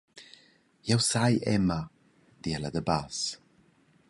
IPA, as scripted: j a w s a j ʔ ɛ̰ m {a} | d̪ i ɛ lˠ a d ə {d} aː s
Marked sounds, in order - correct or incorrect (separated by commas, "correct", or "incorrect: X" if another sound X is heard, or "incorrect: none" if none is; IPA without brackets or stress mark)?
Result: correct, incorrect: b